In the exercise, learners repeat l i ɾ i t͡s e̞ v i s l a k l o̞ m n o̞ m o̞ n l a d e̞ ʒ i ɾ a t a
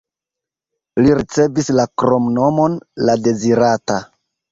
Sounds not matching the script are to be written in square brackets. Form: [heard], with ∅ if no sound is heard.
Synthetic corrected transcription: l i ɾ i t͡s e̞ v i s l a k [ɾ] o̞ m n o̞ m o̞ n l a d e̞ [z] i ɾ a t a